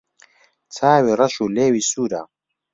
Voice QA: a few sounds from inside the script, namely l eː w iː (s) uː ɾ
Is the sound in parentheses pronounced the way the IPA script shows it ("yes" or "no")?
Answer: yes